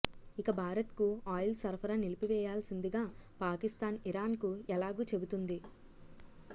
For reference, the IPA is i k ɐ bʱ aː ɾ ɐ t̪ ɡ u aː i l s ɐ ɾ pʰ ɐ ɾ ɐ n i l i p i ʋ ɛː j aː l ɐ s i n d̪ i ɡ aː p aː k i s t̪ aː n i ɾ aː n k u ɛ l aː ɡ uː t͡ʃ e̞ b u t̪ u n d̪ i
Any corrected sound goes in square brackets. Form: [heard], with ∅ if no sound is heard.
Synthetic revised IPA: i k ɐ bʱ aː ɾ ɐ t̪ [k] u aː [j] l s ɐ ɾ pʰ ɐ ɾ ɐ n i l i p i ʋ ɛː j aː l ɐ s i n d̪ i ɡ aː p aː k i s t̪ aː n i ɾ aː n k u ɛ l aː ɡ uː t͡ʃ e̞ b u t̪ u n d̪ i